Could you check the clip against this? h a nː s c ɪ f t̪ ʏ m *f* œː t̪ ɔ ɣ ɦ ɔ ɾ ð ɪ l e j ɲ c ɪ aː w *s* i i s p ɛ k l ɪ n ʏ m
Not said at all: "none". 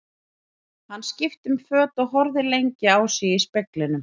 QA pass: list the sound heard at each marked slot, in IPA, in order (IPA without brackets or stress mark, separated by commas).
f, s